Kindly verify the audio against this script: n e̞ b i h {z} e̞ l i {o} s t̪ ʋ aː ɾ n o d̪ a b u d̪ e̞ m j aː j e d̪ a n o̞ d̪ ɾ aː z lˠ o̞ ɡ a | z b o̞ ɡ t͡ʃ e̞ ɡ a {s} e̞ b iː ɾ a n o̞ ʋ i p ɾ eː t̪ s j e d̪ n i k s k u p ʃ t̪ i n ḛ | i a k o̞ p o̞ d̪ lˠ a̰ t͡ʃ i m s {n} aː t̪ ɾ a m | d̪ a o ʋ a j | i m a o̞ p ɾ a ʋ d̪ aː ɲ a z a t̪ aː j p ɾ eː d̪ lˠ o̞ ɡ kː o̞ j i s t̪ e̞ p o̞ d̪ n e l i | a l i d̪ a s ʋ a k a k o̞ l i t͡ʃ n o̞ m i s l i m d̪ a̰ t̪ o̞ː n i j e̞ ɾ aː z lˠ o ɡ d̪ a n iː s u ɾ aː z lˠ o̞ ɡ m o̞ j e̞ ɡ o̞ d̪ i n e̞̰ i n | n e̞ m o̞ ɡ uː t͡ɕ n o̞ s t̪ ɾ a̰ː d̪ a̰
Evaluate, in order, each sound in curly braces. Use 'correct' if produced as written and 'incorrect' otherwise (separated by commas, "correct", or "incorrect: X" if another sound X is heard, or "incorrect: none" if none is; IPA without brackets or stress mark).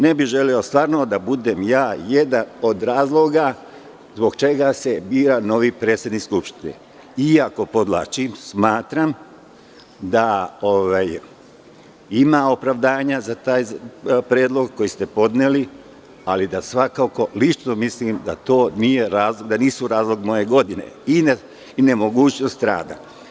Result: incorrect: ʒ, correct, correct, incorrect: m